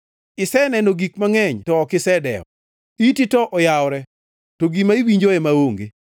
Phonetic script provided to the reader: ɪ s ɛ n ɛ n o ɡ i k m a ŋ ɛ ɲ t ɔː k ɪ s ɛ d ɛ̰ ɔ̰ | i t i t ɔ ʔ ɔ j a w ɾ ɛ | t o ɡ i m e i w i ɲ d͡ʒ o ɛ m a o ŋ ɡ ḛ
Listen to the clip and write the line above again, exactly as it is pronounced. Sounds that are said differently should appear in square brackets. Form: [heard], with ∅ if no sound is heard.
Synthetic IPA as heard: ɪ s ɛ n ɛ n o ɡ i k m a ŋ ɛ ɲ t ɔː k ɪ s ɛ d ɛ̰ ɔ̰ | i t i t ɔ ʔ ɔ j a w ɾ ɛ | t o ɡ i m [a] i w i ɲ d͡ʒ o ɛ m a o ŋ ɡ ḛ